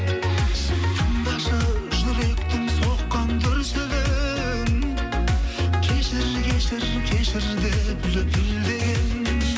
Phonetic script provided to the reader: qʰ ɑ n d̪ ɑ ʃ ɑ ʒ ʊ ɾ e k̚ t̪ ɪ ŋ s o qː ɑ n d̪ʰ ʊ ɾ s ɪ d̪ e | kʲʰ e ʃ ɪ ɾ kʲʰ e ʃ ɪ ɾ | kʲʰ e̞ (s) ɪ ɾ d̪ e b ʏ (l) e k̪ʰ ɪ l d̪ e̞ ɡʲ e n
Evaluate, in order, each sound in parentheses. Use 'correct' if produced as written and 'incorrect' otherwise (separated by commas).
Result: incorrect, correct